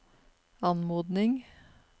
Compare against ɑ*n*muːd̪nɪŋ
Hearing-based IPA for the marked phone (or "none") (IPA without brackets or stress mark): n